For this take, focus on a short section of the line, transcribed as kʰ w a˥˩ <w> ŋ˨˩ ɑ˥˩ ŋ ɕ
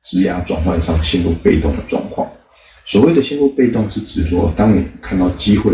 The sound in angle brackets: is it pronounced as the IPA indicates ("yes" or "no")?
no